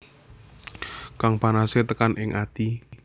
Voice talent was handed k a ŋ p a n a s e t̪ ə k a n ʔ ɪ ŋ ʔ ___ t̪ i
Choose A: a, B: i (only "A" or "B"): A